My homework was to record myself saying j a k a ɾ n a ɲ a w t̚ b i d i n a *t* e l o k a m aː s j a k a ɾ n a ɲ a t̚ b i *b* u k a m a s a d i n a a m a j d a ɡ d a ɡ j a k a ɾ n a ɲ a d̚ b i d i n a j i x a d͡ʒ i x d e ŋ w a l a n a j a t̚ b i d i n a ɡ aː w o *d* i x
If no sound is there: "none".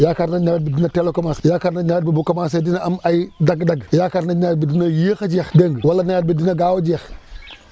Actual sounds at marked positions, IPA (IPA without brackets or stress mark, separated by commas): t, b, d͡ʒ